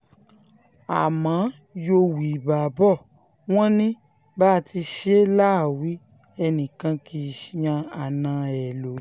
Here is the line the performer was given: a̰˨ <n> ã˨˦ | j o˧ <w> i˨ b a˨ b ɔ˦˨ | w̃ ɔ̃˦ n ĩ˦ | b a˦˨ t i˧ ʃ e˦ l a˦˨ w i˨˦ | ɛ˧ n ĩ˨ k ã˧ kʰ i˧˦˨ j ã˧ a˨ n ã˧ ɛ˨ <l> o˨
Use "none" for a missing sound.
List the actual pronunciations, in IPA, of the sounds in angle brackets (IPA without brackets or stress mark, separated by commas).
m, w, l